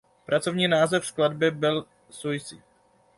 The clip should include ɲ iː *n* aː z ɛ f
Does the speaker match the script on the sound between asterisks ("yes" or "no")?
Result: yes